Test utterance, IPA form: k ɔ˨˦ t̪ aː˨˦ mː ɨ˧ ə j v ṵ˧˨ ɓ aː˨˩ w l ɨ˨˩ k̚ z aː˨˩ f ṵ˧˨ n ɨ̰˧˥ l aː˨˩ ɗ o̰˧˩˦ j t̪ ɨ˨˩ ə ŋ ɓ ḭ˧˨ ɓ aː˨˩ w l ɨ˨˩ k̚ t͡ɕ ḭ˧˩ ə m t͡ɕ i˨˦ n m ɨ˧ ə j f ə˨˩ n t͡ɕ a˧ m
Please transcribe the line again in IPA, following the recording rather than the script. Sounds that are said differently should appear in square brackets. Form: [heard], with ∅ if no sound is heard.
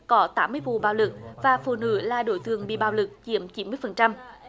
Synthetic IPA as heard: k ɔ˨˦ t̪ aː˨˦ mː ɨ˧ ə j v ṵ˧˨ ɓ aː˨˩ w l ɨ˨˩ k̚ [v] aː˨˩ f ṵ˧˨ n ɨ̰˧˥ l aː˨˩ ɗ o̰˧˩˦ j t̪ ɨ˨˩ ə ŋ ɓ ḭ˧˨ ɓ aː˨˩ w l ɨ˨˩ k̚ t͡ɕ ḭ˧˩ ə m t͡ɕ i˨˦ n m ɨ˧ ə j f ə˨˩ n t͡ɕ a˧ m